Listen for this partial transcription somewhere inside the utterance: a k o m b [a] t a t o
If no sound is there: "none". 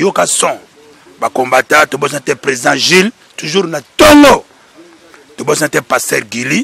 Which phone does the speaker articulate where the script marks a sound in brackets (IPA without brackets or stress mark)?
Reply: a